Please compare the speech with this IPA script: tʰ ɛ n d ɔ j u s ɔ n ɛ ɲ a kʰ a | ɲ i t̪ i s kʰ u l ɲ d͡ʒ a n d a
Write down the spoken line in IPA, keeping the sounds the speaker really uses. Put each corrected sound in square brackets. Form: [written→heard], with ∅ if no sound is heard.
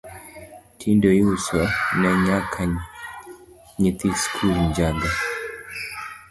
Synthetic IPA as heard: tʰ [ɛ→i] n d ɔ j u s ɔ n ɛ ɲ a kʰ a | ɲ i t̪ i s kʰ u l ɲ d͡ʒ a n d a